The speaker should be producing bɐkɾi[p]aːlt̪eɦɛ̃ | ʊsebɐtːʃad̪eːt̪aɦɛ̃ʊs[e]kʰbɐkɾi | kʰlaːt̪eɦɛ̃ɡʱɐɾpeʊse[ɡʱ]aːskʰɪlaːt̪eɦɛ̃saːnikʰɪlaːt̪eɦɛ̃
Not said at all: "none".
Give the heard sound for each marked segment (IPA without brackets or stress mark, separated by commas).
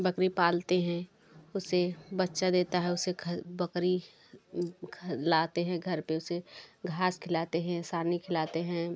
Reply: p, e, ɡʱ